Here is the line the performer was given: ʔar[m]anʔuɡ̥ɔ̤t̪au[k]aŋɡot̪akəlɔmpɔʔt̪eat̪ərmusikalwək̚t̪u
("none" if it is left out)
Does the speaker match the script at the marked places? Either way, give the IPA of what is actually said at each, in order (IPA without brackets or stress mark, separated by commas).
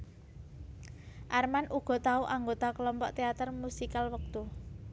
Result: m, ʔ